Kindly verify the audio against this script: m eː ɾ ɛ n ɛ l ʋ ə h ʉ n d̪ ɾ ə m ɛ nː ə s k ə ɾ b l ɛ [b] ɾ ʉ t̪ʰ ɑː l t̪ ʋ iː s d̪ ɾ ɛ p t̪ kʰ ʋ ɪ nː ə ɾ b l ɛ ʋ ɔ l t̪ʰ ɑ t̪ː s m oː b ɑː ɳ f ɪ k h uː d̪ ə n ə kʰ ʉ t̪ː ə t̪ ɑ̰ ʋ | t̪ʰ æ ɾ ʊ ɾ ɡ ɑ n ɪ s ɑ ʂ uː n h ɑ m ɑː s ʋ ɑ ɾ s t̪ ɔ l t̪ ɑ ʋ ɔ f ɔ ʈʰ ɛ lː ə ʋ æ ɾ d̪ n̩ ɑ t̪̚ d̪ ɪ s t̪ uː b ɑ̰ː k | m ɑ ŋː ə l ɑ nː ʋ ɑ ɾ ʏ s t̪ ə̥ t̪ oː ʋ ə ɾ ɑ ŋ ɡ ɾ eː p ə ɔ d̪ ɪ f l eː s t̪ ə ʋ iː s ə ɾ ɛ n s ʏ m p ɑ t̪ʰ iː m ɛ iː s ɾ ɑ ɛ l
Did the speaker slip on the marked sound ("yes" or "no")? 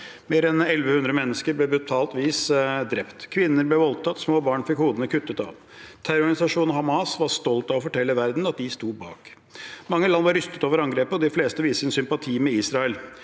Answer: no